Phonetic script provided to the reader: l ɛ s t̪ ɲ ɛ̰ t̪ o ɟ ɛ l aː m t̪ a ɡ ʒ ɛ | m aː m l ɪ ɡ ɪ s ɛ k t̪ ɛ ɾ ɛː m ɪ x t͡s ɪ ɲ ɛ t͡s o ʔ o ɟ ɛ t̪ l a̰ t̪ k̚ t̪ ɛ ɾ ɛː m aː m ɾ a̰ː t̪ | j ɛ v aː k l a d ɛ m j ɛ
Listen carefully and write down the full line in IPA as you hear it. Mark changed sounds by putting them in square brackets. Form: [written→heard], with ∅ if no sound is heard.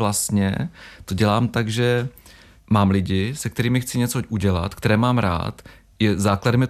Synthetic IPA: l [ɛ→a] s t̪ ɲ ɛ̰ t̪ o ɟ ɛ l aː m t̪ a ɡ ʒ ɛ | m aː m l ɪ [ɡ→ɟ] ɪ s ɛ k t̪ ɛ ɾ [ɛː→iː] m ɪ x t͡s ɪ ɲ ɛ t͡s o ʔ [o→u] ɟ ɛ [t̪→∅] l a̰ t̪ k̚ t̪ ɛ ɾ ɛː m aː m ɾ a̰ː t̪ | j ɛ [v→z] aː k l a d ɛ m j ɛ